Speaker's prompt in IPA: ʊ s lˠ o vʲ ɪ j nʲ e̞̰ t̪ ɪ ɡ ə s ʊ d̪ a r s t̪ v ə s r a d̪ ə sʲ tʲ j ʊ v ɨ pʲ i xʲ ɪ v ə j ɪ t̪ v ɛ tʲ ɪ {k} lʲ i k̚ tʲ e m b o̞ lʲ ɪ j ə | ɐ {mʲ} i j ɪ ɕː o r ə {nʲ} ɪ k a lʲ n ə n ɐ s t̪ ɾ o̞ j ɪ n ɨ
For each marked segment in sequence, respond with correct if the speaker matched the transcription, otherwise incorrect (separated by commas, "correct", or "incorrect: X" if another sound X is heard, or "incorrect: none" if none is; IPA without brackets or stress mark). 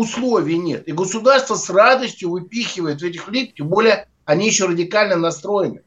incorrect: x, incorrect: nʲ, incorrect: dʲ